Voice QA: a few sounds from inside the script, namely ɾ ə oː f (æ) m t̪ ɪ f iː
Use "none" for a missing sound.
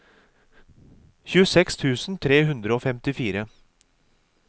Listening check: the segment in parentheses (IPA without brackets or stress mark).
ɛ